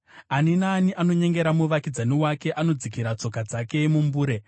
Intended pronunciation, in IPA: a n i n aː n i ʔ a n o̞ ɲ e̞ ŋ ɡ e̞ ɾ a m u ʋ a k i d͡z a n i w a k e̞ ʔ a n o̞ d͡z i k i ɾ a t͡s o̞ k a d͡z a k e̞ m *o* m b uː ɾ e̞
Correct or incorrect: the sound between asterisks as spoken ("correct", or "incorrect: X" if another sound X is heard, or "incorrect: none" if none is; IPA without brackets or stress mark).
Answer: incorrect: u